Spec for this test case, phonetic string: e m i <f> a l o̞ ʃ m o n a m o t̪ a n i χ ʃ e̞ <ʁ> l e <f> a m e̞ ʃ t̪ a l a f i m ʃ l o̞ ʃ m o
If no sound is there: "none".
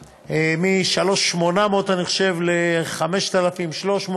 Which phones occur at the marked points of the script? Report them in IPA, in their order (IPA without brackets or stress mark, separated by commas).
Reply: ʃ, v, χ